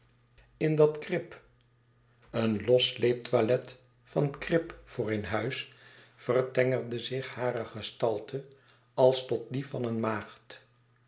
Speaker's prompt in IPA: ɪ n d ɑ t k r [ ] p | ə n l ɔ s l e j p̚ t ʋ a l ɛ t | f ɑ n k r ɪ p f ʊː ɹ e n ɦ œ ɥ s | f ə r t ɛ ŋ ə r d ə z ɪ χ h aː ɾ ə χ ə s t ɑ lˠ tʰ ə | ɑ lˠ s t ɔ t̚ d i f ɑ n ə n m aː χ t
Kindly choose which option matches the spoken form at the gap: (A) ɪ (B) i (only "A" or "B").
A